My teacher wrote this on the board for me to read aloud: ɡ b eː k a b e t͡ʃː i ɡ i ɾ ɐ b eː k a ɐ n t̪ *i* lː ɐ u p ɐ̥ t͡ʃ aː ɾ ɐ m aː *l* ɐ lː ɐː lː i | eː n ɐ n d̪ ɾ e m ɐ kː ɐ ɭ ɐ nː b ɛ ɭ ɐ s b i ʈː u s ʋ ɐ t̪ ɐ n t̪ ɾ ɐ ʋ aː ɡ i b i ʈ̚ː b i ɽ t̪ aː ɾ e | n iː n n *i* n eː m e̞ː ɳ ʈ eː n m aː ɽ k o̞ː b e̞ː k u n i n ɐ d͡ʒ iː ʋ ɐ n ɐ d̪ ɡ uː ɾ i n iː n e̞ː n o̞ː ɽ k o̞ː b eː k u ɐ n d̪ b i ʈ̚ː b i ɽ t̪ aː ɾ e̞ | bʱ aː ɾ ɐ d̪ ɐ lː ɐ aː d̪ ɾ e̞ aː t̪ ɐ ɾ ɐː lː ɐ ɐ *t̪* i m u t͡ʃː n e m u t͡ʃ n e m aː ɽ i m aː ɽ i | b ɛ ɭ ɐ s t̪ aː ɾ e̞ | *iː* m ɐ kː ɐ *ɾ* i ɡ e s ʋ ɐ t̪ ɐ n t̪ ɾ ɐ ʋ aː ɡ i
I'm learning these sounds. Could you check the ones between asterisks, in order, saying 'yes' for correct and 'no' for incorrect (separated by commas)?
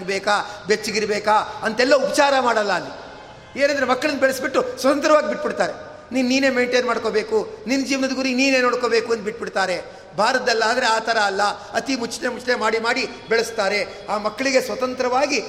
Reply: no, no, no, yes, no, no